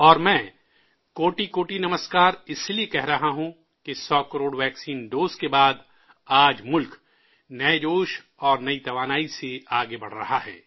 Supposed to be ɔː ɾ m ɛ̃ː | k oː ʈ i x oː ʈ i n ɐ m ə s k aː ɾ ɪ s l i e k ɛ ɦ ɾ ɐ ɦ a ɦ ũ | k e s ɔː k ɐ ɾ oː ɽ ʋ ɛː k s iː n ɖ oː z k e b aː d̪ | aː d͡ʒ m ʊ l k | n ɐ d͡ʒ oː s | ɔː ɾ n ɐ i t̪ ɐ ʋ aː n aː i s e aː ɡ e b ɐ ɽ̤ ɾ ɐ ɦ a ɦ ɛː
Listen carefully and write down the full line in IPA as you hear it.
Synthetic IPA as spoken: ɔː ɾ m ɛ̃ː | k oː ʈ i k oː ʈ i n ɐ m ə s k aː ɾ ɪ s l i e k ɛ ɦ ɾ ɐ ɦ a ɦ ũ | k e s ɔː k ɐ ɾ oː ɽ ʋ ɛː k s iː n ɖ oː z k e b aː d̪ | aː d͡ʒ m ʊ l k | n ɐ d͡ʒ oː ʃ | ɔː ɾ n ɐ i t̪ ɐ ʋ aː n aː i s e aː ɡ e b ɐ ɽ̤ ɾ ɐ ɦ a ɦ ɛː